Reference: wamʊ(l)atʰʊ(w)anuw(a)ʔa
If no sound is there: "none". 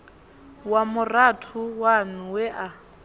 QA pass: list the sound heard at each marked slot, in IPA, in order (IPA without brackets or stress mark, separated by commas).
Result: r, w, ɛ